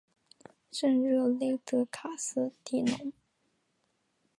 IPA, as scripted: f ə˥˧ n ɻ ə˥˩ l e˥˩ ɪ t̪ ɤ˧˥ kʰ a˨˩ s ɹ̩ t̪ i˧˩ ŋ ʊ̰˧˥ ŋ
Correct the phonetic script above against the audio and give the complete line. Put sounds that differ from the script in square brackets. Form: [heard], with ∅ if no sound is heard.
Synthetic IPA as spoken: [ʂ] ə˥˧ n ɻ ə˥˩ l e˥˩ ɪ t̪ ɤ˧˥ kʰ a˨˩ s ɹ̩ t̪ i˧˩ [n] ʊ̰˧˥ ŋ